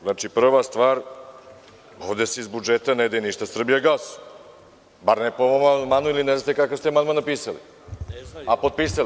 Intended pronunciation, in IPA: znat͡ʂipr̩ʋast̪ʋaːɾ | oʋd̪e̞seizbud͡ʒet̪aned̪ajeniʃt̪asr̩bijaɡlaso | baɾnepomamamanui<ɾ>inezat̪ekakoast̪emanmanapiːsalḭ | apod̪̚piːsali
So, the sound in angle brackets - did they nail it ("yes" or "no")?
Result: no